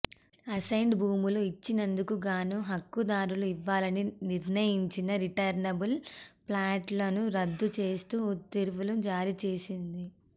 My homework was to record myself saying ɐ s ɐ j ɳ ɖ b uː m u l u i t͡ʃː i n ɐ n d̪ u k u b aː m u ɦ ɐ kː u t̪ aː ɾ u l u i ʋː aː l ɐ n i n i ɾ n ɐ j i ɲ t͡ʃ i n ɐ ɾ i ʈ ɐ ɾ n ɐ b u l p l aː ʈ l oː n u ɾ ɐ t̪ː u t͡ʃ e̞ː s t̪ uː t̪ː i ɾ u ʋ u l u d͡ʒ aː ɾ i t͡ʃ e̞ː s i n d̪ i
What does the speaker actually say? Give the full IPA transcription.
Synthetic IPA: ɐ s ɐ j ɳ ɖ b uː m u l u i t͡ʃː i n ɐ n d̪ u k u ɡ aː n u ɦ ɐ kː u d̪ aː ɾ u l u i ʋː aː l ɐ n i n i ɾ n ɐ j i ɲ t͡ʃ i n ɐ ɾ i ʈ ɐ ɾ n ɐ b u l p l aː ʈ l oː n u ɾ ɐ d̪ː u t͡ʃ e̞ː s t̪ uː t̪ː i ɾ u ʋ u l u d͡ʒ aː ɾ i t͡ʃ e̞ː s i n d̪ i